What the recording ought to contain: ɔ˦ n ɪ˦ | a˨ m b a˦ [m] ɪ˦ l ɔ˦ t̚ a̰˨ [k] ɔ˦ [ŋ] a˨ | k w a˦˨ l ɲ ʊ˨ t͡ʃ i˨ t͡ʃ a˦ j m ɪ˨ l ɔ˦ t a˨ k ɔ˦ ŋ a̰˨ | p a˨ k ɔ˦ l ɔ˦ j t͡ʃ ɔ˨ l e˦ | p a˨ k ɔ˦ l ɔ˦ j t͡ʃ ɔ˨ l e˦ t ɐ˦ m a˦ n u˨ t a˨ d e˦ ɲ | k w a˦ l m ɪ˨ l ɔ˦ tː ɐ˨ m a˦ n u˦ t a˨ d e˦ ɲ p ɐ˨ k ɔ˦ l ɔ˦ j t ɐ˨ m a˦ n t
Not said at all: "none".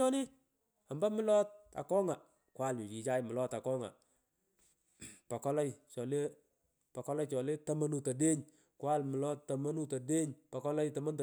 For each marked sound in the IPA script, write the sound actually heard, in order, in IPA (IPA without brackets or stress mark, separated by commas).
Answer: m, k, ŋ